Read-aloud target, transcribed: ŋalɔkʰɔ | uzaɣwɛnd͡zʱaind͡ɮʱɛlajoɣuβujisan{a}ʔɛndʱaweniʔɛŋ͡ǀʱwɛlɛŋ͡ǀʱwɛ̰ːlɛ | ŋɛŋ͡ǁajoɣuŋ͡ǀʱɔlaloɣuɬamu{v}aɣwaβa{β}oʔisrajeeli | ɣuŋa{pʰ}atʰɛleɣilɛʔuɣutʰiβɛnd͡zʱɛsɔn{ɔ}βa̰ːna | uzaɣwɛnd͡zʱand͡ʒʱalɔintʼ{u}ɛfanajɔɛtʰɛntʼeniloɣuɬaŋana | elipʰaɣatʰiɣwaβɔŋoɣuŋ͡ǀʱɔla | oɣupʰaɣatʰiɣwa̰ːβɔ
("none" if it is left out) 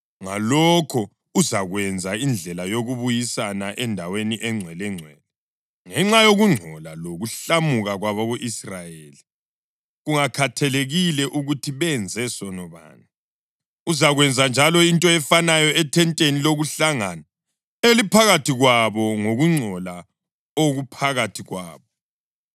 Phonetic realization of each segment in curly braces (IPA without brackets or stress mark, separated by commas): a, ɣ, β, kʰ, ɔ, ɔ